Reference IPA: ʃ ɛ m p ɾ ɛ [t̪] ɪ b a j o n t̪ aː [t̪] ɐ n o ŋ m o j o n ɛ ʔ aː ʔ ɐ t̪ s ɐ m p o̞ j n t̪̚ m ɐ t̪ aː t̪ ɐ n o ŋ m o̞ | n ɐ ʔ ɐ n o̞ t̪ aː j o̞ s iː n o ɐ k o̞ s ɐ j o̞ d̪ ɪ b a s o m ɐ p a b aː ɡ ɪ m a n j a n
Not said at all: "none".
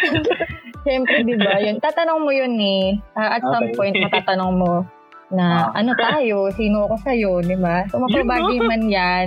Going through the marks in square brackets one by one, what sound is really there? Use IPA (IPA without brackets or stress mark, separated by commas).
d̪, t̪